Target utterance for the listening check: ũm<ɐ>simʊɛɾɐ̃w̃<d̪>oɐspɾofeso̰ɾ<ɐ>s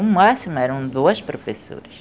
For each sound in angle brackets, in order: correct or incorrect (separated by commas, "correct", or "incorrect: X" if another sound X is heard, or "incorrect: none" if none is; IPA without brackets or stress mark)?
incorrect: a, correct, correct